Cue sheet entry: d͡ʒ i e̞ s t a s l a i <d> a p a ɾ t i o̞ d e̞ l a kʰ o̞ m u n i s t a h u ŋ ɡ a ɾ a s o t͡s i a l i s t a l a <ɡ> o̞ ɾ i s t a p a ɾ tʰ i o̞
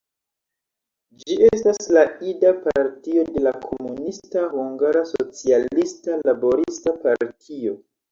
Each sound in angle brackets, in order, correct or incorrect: correct, incorrect

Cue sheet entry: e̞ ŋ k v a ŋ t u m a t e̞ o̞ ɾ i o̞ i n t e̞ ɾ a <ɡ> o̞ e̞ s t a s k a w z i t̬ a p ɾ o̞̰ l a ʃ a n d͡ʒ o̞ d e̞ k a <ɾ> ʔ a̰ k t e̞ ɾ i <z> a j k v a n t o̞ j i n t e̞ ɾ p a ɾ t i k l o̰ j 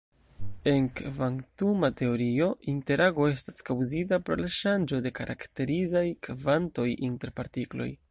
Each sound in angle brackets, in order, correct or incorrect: correct, correct, correct

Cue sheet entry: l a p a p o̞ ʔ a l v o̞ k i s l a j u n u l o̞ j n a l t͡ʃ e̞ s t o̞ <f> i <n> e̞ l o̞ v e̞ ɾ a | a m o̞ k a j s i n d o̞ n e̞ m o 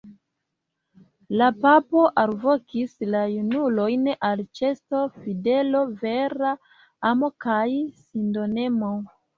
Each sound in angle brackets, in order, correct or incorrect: correct, incorrect

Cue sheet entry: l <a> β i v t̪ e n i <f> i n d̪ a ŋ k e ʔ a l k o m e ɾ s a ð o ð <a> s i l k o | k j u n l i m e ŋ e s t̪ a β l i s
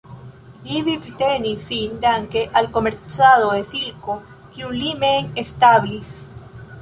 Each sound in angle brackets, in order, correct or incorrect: incorrect, incorrect, incorrect

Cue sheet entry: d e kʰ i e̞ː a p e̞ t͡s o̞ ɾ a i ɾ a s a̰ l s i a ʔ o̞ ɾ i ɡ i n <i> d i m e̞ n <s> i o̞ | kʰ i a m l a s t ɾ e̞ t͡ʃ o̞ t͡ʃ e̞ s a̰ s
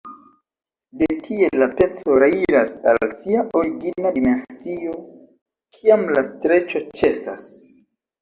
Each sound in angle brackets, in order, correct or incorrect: incorrect, correct

